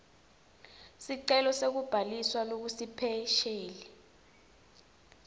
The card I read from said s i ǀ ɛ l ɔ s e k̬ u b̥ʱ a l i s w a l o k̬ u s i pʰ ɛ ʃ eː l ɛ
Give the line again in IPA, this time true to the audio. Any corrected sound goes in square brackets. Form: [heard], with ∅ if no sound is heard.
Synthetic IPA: s i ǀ ɛ l ɔ s e k̬ u b̥ʱ a l i s w a l o k̬ u s i pʰ ɛ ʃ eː l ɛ